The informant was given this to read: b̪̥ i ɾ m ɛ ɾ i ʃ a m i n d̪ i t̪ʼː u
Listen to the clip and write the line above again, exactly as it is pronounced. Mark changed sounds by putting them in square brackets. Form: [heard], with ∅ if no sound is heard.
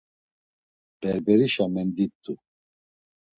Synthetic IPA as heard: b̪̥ [ɛ] ɾ [b] ɛ ɾ i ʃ a m [ɛ] n d̪ i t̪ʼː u